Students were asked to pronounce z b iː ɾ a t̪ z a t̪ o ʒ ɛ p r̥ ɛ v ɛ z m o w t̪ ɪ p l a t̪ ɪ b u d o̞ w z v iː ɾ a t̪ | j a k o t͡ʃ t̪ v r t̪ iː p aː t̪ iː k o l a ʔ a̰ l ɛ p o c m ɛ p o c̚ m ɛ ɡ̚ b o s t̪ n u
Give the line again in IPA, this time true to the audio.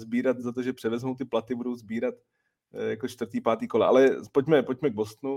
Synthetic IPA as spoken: z b iː ɾ a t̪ z a t̪ o ʒ ɛ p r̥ ɛ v ɛ z m o w t̪ ɪ p l a t̪ ɪ b u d o̞ w z b iː ɾ a t̪ | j a k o t͡ʃ t̪ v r t̪ iː p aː t̪ iː k o l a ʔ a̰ l ɛ p o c m ɛ p o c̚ m ɛ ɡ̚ b o s t̪ n u